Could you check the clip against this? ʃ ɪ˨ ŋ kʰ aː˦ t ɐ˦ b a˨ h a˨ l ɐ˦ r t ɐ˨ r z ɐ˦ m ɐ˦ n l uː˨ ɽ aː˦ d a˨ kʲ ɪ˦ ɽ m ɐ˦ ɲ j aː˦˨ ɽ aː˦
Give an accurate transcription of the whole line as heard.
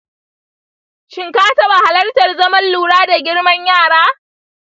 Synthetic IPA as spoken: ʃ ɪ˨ ŋ k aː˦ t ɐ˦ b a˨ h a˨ l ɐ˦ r t ɐ˨ r z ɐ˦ m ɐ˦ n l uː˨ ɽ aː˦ d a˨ ɡʲ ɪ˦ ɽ m ɐ˦ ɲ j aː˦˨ ɽ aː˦